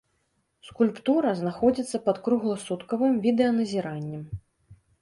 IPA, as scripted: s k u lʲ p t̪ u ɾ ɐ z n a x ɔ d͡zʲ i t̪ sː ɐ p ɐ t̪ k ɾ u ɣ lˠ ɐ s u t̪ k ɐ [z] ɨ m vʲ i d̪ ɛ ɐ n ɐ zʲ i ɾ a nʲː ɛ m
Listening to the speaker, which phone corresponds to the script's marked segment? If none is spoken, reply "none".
v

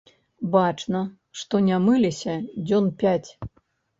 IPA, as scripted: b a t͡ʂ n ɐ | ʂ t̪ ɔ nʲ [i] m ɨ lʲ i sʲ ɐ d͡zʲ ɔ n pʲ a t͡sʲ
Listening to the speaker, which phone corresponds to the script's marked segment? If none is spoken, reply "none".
a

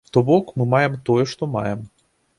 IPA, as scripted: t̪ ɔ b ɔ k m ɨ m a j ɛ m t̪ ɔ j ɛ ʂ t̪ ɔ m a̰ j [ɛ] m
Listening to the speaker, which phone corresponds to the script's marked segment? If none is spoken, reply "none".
ɛ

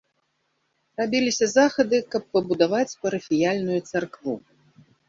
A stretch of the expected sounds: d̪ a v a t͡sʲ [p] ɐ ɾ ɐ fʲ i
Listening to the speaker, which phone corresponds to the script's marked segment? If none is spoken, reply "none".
p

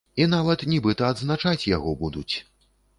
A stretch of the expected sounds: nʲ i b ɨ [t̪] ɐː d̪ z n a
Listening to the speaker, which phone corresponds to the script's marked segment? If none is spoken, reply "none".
t̪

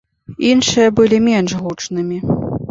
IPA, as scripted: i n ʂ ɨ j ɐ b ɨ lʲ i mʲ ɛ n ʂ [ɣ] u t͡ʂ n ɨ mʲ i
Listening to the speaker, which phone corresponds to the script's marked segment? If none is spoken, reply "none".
ɣ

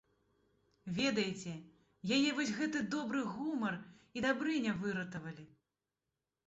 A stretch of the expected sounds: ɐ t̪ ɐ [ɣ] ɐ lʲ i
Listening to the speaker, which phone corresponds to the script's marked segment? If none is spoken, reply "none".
v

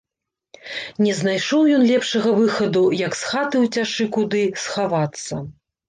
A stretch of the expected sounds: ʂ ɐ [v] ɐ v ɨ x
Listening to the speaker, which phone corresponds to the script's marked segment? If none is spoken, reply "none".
ɣ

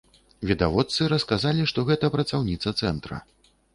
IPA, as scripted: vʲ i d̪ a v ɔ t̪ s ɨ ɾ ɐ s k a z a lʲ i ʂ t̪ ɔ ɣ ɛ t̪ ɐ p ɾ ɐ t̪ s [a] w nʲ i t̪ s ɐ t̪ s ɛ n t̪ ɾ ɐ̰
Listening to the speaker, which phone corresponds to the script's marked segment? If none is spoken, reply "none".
a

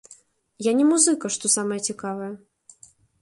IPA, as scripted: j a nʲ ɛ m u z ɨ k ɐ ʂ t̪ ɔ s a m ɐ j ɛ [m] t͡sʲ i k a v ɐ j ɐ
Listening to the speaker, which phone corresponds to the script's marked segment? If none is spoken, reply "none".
none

